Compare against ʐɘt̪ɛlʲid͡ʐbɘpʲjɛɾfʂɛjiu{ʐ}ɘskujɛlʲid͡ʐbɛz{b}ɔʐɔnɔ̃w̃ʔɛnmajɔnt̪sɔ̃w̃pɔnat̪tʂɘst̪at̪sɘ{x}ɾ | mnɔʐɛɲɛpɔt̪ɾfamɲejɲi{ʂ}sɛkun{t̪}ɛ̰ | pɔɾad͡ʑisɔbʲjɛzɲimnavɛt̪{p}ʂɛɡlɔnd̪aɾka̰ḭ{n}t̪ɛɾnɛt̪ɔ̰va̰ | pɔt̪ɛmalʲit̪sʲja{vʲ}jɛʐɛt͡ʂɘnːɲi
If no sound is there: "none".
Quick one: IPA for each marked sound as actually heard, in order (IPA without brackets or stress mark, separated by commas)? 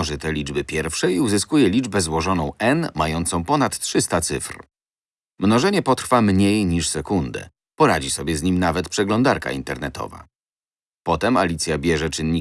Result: z, w, f, ʂ, d̪, p, n, bʲ